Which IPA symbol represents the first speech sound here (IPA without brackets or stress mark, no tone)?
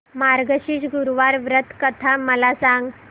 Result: m